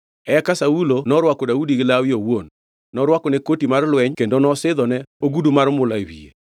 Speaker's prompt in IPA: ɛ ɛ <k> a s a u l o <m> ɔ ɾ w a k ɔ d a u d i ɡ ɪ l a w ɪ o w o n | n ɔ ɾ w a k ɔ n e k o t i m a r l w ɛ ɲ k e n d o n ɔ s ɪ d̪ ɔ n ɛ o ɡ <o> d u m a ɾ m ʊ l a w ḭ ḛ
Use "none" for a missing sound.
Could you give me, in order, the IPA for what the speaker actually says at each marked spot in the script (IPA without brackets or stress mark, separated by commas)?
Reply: k, n, u